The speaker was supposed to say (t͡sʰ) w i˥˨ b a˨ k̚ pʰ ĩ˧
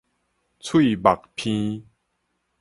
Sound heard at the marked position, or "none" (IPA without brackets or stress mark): t͡sʰ